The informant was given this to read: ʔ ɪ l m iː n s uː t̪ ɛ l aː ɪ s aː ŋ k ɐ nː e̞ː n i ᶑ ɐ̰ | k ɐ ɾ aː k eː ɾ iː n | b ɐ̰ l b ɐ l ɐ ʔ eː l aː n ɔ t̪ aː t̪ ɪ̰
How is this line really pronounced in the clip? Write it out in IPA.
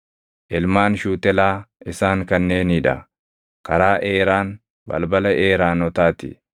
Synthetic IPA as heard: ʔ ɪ l m aː n ʃ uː t̪ ɛ l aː ɪ s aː ŋ k ɐ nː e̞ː n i ᶑ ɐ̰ | k ɐ ɾ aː ʔ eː ɾ aː n | b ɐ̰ l b ɐ l ɐ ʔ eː ɾ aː n ɔ t̪ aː t̪ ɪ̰